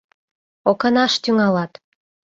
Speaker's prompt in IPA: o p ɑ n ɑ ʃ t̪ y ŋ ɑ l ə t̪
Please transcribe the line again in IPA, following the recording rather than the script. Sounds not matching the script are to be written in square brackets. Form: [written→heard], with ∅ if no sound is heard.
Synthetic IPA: o [p→k] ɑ n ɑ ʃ t̪ y ŋ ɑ l [ə→ɑ] t̪

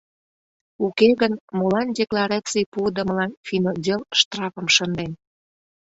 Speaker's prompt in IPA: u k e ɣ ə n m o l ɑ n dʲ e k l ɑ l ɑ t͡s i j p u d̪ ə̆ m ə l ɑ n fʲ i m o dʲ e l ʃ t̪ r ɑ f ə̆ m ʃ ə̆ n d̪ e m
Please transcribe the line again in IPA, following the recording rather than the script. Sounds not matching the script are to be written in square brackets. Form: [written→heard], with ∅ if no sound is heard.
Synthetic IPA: u k e ɣ ə n m o l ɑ n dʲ e k l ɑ [l→ɾ] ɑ t͡s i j p u d̪ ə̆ m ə l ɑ n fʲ i [m→n] o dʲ e l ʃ t̪ r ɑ f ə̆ m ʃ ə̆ n d̪ e [m→n]

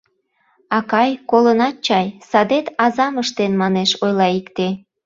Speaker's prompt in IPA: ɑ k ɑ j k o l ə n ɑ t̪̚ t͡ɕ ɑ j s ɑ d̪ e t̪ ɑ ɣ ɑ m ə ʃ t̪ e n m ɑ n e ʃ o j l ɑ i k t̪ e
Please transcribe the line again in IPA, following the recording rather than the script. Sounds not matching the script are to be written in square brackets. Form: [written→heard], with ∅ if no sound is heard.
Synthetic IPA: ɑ k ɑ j k o l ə n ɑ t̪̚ t͡ɕ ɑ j s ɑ d̪ e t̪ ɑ [ɣ→z] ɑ m ə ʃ t̪ e n m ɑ n e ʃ o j l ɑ i k t̪ e

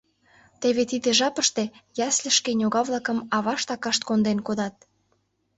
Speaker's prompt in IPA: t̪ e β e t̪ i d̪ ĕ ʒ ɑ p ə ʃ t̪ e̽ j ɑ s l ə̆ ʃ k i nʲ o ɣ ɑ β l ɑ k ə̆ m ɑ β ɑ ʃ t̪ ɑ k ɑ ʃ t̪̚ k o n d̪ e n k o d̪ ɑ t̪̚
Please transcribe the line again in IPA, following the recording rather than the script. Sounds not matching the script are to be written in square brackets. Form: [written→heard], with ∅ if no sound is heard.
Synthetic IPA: t̪ e β e t̪ i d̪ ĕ ʒ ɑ p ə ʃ t̪ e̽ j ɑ s l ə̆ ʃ k [i→e] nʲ o ɣ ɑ β l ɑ k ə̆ m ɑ β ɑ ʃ t̪ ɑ k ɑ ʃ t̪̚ k o n d̪ e n k o d̪ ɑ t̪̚

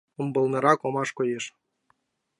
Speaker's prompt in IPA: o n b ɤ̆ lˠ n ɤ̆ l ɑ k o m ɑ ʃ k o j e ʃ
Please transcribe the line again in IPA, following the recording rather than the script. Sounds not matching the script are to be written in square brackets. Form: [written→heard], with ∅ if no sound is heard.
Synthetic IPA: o [n→m] b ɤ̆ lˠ n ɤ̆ [l→ɾ] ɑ k o m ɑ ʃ k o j e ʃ

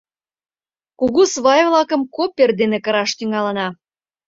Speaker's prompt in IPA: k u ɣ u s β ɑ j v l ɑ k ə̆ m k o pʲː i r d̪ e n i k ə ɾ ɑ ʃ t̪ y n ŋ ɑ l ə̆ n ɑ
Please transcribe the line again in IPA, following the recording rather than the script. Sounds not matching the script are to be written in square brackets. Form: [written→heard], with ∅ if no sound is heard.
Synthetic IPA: k u ɣ u s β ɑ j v l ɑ k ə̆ m k o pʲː [i→e] r d̪ e n [i→e] k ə ɾ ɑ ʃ t̪ y [n→∅] ŋ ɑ l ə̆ n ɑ

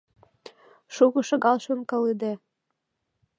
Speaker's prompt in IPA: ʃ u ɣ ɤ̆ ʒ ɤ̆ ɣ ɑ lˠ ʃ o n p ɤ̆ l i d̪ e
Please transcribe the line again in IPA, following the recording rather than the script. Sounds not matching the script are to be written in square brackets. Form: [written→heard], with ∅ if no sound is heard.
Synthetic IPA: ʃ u ɣ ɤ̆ [ʒ→ʃ] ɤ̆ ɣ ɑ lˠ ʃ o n [p→k] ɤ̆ l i d̪ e

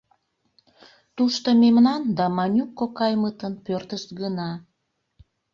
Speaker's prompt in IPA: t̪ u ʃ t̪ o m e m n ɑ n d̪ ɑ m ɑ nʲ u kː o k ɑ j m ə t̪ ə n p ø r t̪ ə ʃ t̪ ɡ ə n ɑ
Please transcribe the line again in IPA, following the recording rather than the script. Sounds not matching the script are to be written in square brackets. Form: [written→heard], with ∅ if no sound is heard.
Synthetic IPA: t̪ u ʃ t̪ o m e m n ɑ n d̪ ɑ m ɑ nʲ u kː o k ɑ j m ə t̪ ə n p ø r t̪ ə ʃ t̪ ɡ ə n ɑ

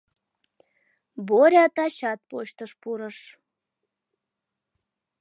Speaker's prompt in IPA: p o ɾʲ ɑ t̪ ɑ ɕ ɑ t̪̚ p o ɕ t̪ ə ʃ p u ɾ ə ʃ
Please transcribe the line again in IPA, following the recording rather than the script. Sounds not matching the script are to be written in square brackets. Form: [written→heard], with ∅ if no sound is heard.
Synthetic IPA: [p→b] o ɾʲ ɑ t̪ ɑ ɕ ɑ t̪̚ p o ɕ t̪ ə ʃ p u ɾ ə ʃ

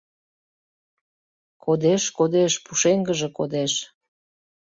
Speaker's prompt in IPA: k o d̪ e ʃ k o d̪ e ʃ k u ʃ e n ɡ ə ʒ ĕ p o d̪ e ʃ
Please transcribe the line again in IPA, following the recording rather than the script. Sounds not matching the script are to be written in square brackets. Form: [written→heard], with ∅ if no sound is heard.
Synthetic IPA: k o d̪ e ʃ k o d̪ e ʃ [k→p] u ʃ e [n→ŋ] ɡ ə ʒ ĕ [p→k] o d̪ e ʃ

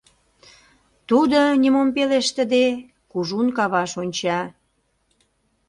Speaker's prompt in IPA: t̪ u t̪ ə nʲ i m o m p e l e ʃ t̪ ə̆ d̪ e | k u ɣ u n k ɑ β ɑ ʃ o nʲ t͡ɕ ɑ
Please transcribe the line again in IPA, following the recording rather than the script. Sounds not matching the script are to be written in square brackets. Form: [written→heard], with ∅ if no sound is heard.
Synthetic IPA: t̪ u [t̪→d̪] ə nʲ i m o m p e l e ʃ t̪ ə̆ d̪ e | k u [ɣ→ʒ] u n k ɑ β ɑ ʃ o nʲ t͡ɕ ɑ

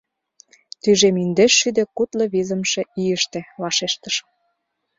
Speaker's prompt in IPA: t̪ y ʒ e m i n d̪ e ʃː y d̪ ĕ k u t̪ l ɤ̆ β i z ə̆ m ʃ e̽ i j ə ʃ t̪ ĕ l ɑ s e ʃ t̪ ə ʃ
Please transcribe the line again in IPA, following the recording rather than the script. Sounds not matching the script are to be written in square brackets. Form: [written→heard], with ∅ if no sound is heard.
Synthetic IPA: t̪ y ʒ e m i n d̪ e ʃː y d̪ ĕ k u t̪ l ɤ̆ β i z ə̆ m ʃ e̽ i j ə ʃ t̪ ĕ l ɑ [s→ʃ] e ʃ t̪ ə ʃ

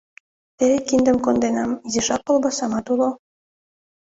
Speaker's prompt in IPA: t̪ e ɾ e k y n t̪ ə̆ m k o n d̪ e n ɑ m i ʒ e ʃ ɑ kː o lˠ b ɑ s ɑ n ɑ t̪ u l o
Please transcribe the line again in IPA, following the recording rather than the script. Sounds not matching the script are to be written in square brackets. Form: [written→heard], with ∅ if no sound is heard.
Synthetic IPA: t̪ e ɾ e k [y→i] n [t̪→d̪] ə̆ m k o n d̪ e n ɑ m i [ʒ→z] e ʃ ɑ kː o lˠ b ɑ s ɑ [n→m] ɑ t̪ u l o

